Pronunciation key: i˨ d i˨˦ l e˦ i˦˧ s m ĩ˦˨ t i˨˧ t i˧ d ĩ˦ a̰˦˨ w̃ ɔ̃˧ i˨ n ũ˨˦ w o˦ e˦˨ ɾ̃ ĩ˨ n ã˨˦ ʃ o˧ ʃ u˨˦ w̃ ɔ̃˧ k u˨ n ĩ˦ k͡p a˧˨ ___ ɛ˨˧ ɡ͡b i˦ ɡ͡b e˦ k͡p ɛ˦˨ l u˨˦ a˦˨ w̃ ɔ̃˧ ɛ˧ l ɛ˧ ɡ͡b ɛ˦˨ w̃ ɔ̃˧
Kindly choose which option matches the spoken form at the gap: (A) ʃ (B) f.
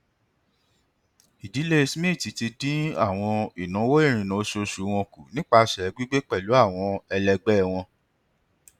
A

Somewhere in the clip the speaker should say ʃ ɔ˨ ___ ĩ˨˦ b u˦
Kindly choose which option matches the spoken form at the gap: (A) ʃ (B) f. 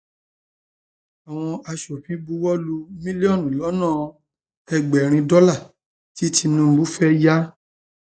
B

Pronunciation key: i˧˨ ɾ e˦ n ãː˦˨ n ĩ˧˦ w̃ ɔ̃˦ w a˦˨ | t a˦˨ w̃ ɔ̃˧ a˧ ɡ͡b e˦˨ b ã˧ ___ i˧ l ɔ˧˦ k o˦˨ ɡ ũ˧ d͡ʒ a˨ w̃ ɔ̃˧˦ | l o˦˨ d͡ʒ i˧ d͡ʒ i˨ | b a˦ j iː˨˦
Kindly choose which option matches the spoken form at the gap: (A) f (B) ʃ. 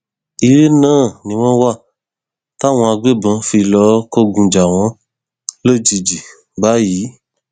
A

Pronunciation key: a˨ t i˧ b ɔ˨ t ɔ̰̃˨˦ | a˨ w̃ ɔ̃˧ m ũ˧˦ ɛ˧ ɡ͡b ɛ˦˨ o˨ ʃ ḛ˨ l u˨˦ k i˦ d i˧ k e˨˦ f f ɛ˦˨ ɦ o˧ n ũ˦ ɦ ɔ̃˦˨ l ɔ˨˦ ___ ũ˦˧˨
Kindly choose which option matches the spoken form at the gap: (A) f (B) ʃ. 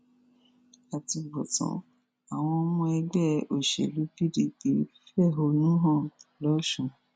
B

